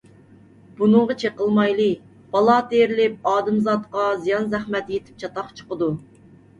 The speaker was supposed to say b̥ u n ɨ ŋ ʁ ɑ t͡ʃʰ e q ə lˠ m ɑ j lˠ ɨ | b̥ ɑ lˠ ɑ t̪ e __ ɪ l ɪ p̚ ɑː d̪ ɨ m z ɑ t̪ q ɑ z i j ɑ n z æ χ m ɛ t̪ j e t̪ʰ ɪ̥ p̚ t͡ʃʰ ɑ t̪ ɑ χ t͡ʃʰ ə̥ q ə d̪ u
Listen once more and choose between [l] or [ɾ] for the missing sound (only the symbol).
ɾ